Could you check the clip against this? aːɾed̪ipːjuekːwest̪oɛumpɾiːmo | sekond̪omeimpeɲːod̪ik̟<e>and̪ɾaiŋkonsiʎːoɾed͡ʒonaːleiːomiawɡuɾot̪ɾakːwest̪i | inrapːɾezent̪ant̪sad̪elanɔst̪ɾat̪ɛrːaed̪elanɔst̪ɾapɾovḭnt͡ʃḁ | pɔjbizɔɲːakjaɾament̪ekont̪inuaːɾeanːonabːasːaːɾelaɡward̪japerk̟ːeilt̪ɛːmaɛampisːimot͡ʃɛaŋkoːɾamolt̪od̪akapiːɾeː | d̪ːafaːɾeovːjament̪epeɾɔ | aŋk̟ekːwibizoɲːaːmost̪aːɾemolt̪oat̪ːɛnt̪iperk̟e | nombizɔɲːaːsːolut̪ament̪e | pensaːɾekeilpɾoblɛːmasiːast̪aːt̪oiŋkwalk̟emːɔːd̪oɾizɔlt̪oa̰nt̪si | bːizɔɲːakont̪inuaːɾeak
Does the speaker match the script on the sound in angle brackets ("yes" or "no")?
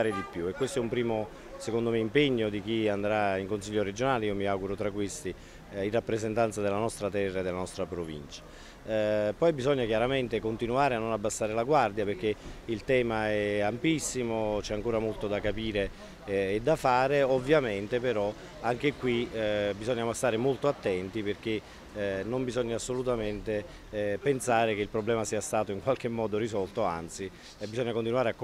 no